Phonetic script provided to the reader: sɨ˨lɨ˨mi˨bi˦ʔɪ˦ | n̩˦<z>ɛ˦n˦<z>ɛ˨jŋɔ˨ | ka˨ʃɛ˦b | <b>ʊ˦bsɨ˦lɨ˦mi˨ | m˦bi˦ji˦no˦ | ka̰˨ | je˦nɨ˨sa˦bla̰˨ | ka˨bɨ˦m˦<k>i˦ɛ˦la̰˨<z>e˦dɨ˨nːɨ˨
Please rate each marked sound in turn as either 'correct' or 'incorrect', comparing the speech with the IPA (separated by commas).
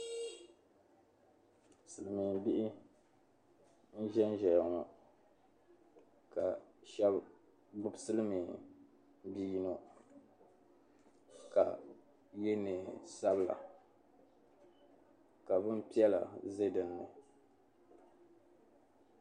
incorrect, incorrect, correct, incorrect, correct